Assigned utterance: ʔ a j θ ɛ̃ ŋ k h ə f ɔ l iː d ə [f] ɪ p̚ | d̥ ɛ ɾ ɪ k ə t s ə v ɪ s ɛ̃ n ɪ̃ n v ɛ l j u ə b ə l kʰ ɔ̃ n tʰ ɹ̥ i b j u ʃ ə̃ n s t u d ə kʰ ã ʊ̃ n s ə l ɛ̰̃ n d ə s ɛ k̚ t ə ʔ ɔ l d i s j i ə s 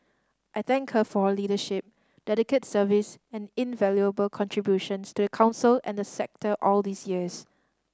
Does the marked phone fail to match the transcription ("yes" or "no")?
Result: yes